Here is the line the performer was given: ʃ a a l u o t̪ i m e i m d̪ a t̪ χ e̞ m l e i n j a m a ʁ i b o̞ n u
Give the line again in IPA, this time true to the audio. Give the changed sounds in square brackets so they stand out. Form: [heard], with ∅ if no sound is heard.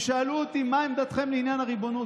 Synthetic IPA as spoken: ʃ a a l u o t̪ i m [a] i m d̪ a t̪ χ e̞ m l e i n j a [n] a ʁ i b o̞ n u